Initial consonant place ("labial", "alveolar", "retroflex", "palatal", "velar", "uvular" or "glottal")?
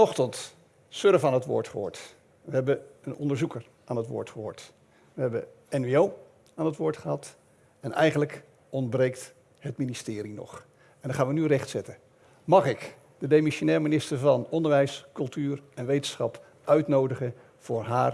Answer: uvular